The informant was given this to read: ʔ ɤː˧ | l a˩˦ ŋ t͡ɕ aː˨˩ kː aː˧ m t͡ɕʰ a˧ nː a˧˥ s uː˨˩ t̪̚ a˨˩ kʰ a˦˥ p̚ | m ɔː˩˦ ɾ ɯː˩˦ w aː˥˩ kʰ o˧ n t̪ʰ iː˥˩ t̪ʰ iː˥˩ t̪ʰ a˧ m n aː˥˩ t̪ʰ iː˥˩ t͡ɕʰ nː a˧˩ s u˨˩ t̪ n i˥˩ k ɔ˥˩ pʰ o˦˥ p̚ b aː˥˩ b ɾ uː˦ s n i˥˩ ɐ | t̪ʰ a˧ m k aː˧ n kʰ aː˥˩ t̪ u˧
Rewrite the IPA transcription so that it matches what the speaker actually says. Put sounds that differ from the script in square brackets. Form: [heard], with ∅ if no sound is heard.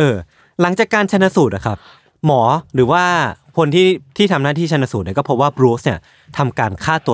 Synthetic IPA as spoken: ʔ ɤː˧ | l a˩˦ ŋ t͡ɕ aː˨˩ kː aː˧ [n] t͡ɕʰ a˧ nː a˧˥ s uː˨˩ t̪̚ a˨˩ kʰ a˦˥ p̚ | m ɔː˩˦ ɾ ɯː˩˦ w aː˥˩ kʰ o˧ n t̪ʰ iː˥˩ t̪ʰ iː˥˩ t̪ʰ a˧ m n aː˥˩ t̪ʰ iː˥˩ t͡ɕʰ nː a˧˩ s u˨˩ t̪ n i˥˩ k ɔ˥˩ pʰ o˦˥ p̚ [w] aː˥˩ b ɾ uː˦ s n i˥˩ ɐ | t̪ʰ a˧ m k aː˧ n kʰ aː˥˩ t̪ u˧